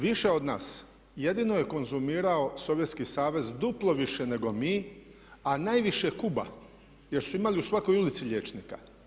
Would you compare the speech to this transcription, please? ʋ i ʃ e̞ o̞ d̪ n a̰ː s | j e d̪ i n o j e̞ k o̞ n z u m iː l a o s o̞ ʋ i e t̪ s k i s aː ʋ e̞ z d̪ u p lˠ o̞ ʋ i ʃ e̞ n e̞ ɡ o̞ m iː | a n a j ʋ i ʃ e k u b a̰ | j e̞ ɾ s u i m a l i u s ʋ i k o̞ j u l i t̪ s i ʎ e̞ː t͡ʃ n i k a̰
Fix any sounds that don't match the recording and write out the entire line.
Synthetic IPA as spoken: ʋ i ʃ e̞ o̞ d̪ n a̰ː s | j e d̪ i n o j e̞ k o̞ n z u m iː ɾ a o s o̞ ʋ j e t̪ s k i s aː ʋ e̞ z d̪ u p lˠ o̞ ʋ i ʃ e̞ n e̞ ɡ o̞ m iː | a n a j ʋ i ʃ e k u b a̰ | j e̞ ɾ s u i m a l i u s ʋ a k o̞ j u l i t̪ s i ʎ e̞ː t͡ʃ n i k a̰